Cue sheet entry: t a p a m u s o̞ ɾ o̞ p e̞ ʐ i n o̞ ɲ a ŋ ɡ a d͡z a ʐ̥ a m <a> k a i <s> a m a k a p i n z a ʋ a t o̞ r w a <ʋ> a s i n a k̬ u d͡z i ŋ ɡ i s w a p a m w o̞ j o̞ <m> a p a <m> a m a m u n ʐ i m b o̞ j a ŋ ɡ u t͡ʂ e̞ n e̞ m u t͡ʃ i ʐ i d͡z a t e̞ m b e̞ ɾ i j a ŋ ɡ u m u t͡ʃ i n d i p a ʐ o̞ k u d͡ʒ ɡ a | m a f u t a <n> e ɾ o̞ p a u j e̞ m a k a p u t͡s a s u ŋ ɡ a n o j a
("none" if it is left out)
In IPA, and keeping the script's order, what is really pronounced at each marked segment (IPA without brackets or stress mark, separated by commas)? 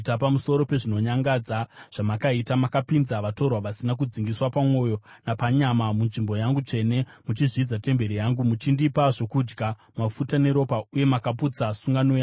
a, t, ʋ, n, ɲ, n